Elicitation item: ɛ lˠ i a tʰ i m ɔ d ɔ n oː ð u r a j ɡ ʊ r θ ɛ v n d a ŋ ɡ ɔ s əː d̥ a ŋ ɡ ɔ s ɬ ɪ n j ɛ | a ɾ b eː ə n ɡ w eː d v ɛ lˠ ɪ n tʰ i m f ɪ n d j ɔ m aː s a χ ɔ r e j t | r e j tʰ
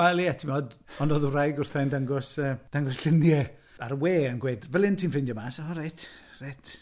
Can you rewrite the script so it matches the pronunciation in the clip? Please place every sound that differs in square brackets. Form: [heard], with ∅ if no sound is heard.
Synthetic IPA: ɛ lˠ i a tʰ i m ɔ d ɔ n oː ð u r a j ɡ ʊ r θ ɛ [∅] n d a ŋ ɡ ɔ s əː d̥ a ŋ ɡ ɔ s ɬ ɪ n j ɛ | a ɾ [w] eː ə n ɡ w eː d v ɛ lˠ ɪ n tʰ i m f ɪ n d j ɔ m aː s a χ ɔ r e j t | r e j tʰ